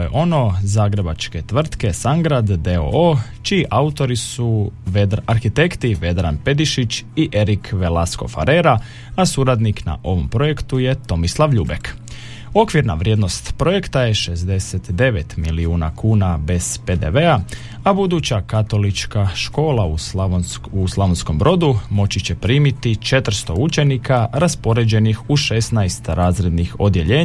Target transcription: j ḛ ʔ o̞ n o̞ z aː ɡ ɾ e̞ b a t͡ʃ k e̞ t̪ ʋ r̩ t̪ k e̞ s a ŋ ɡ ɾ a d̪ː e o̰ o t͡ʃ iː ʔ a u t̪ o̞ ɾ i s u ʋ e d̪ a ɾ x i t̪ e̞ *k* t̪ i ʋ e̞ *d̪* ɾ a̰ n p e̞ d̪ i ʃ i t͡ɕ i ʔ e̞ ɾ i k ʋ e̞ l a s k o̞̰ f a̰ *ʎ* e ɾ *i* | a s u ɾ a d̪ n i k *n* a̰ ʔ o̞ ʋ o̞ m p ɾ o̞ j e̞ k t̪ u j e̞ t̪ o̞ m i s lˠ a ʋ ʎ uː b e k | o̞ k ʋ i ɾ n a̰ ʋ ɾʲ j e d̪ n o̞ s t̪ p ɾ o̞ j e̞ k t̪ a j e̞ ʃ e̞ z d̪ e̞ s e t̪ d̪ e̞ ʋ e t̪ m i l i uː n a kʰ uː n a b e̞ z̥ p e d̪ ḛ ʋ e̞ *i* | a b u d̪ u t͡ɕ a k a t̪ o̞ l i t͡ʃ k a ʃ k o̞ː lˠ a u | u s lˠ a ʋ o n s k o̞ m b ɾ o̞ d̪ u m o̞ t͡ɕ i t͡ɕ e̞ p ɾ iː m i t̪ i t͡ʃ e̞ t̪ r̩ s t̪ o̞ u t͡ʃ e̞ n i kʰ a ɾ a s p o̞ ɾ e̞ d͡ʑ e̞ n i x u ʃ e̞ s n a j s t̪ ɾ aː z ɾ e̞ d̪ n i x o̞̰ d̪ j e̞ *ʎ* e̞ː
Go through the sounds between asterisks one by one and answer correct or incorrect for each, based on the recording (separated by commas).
correct, correct, incorrect, incorrect, correct, incorrect, correct